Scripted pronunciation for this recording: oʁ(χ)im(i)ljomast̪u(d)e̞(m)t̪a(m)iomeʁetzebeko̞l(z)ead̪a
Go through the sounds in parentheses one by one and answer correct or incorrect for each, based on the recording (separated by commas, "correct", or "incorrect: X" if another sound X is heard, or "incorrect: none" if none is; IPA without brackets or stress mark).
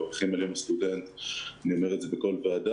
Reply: correct, incorrect: a, correct, incorrect: n, incorrect: n, incorrect: v